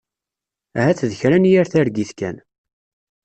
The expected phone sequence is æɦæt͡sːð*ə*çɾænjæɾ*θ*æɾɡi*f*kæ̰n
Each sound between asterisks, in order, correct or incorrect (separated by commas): correct, correct, incorrect